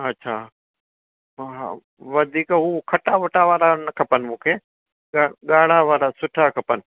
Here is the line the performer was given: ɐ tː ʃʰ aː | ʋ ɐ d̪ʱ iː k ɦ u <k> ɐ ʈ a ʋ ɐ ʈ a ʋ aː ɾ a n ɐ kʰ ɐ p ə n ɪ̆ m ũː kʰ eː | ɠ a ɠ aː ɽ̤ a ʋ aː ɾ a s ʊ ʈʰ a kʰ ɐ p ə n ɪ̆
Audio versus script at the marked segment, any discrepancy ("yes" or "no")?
yes